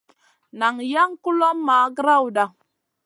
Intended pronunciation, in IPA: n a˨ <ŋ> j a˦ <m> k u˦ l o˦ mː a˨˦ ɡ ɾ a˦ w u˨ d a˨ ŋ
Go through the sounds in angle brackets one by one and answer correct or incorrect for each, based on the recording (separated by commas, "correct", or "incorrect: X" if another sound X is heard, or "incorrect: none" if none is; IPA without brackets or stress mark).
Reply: correct, incorrect: ŋ